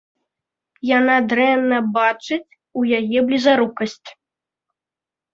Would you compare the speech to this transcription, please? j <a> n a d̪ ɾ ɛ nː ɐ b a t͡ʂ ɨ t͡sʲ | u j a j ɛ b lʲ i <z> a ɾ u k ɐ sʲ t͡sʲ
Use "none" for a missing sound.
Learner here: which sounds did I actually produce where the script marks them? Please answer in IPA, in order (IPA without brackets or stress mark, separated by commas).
a, z